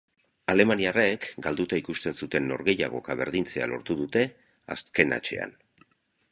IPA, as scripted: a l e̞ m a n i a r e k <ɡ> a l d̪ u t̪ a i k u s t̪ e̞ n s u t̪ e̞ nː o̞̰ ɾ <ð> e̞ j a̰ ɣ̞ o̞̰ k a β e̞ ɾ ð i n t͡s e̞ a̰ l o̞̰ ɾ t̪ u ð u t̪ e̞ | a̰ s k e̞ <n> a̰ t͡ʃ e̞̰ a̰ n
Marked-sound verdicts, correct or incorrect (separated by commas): correct, incorrect, correct